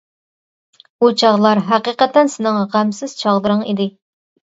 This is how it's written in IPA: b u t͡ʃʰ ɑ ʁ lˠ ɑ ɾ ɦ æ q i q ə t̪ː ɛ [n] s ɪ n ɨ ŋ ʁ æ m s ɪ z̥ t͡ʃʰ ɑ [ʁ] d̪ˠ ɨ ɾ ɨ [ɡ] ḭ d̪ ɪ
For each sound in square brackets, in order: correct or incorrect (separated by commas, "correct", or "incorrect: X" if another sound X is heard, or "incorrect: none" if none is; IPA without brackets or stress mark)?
correct, correct, incorrect: ŋ